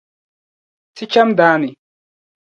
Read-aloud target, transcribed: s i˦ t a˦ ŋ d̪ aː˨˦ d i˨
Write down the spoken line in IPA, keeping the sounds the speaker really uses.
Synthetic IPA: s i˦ t͡ʃ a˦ m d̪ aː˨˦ n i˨

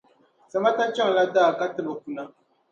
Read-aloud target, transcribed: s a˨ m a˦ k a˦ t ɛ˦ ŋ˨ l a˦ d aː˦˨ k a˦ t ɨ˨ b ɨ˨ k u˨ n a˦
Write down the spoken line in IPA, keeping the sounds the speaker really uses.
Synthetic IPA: s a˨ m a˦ t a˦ t͡ʃ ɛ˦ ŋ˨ l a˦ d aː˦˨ k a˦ t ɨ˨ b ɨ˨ k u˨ n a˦

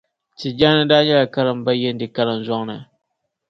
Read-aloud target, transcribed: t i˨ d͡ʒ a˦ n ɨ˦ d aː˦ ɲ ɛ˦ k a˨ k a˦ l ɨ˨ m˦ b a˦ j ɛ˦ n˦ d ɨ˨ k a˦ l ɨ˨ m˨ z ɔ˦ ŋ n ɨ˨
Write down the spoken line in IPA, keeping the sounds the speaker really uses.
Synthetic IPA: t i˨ d͡ʒ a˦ n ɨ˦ d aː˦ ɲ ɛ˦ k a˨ k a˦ l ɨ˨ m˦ b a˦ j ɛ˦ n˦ d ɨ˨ k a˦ l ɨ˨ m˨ z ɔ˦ ŋ n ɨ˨

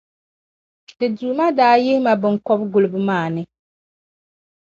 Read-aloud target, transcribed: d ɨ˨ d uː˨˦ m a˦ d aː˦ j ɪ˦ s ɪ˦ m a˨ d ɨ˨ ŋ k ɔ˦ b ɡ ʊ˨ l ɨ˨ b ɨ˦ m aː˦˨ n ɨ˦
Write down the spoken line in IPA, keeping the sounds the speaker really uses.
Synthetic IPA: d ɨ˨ d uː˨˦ m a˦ d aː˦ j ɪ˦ h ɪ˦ m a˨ b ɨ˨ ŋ k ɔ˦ b ɡ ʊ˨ l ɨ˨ b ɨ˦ m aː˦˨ n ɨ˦

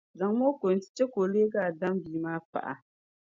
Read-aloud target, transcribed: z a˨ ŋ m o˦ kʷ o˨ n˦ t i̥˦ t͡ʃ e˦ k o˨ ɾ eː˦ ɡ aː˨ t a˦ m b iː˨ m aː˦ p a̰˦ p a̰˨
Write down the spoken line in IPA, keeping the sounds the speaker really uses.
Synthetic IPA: z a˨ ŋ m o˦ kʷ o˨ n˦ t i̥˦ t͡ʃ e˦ k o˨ l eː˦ ɡ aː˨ d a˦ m b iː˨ m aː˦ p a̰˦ ʔ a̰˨

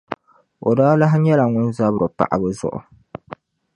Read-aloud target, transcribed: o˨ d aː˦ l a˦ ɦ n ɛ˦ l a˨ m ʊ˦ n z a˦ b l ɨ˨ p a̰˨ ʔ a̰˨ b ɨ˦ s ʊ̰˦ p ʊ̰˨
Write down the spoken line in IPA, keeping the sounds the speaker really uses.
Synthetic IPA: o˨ d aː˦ l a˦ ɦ ɲ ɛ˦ l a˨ ŋ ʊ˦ n z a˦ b ɾ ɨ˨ p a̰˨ ʔ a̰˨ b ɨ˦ z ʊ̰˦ ʔ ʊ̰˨

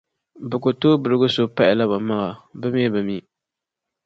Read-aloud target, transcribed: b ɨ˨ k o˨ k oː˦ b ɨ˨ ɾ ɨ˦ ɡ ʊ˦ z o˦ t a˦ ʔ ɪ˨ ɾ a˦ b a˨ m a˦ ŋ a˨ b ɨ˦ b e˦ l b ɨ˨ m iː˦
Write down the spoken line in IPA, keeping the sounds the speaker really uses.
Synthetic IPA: b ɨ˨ k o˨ t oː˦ b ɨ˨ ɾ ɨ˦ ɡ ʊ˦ s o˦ p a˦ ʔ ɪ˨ l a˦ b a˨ m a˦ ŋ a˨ b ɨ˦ m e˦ b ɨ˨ m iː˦

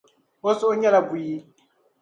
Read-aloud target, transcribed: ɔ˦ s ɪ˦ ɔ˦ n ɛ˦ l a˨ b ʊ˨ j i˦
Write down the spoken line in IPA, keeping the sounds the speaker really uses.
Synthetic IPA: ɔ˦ s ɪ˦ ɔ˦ ɲ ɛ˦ l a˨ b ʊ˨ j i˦

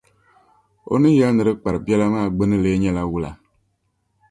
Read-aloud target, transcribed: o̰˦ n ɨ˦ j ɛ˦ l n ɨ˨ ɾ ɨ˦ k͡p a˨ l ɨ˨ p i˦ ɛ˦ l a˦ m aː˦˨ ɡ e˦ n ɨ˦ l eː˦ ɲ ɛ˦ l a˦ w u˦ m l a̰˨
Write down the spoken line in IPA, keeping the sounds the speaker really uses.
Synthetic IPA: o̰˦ n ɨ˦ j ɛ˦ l n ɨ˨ ɾ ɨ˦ k͡p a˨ ɾ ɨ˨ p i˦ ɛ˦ l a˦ m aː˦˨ ɡ͡b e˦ n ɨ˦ l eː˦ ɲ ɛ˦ l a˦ w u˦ l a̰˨

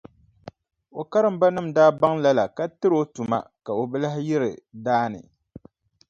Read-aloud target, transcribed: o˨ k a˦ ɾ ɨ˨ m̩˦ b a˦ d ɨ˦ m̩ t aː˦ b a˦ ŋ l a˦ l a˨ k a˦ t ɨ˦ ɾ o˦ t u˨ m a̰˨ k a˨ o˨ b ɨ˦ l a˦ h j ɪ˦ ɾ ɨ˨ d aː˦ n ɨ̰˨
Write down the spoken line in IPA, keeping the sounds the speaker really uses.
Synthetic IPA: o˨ k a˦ ɾ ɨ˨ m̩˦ b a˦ n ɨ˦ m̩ d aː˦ b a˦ ŋ l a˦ l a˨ k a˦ t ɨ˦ ɾ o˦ t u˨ m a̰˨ k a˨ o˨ b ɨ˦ l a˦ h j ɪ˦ ɾ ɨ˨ d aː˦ n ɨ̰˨

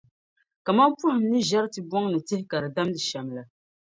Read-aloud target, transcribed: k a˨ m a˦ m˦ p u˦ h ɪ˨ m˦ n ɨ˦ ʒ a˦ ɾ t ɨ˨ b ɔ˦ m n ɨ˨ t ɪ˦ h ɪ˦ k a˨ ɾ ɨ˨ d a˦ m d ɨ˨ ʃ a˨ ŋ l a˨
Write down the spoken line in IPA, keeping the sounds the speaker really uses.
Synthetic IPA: k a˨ m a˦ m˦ p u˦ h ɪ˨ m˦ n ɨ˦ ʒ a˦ ɾ t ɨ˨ b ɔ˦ ŋ n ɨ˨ t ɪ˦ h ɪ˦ k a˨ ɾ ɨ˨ d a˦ m d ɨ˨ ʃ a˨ m l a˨

